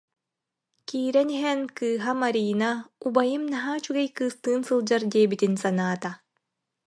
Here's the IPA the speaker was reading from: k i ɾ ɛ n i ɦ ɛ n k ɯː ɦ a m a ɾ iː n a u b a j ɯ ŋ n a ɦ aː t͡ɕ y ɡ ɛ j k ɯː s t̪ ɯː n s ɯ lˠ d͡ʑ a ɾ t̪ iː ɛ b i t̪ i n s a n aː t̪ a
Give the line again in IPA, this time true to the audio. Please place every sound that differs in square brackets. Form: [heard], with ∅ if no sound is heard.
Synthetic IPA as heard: k [iː] ɾ ɛ n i ɦ ɛ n k ɯː ɦ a m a ɾ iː n a u b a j ɯ [m] n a ɦ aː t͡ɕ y ɡ ɛ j k ɯː s t̪ ɯː n s ɯ lˠ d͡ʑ a ɾ [d̪] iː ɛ b i t̪ i n s a n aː t̪ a

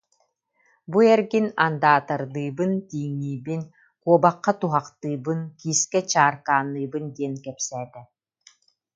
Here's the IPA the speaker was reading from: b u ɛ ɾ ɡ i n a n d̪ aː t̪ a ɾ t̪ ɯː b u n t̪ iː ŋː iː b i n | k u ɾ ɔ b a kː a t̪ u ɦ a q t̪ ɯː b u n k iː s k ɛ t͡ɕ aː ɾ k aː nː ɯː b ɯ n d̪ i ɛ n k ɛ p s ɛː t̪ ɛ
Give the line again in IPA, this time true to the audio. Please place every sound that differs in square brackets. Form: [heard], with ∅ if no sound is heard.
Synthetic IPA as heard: b u ɛ ɾ ɡ i n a n d̪ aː t̪ a ɾ [d̪] ɯː b [ɯ] n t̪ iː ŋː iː b i n | k u [∅] ɔ b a [qː] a t̪ u ɦ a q t̪ ɯː b [ɯ] n k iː s k ɛ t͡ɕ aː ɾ k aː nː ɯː b ɯ n d̪ i ɛ n k ɛ p s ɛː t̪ ɛ

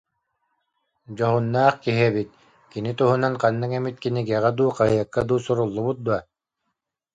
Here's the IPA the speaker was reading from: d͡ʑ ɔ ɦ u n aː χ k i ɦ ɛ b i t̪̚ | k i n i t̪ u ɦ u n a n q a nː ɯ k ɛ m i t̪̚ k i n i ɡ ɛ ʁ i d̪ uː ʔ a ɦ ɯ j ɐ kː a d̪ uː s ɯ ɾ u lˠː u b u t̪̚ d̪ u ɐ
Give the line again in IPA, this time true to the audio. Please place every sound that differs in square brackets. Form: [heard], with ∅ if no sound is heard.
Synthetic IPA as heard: d͡ʑ ɔ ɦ u [nː] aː χ k i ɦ ɛ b i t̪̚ | k i n i t̪ u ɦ u n a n q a nː ɯ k ɛ m i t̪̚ k i n i ɡ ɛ ʁ [ɛ] d̪ uː [q] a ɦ ɯ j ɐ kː a d̪ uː s [u] ɾ u lˠː u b u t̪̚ d̪ u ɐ

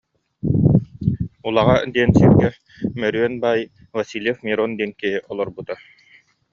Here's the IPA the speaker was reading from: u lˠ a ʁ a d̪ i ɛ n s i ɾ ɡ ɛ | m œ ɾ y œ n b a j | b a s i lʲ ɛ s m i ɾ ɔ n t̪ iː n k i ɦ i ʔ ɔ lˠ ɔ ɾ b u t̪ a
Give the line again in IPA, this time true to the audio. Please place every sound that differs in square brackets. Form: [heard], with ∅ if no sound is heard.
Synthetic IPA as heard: u lˠ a ʁ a d̪ i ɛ n s i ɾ ɡ ɛ | m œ ɾ y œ n b a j | [v] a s i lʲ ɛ [f] m i ɾ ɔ n [d̪] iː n k i ɦ i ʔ ɔ lˠ ɔ ɾ b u t̪ a

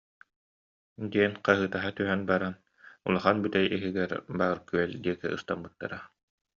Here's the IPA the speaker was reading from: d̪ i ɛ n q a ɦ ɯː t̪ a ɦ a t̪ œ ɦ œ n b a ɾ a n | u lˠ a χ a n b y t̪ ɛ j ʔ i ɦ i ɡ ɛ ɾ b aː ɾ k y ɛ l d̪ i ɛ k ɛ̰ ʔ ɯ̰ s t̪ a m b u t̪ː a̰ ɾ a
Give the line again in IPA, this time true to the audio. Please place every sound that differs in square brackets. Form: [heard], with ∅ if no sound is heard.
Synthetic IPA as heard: d̪ i ɛ n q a ɦ ɯː t̪ a ɦ a t̪ [y] ɦ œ n b a ɾ a n | u lˠ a χ a n b y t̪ ɛ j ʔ i ɦ i ɡ ɛ ɾ b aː ɾ k y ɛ l d̪ i ɛ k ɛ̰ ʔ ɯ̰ s t̪ a m b [ɯ] t̪ː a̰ ɾ a

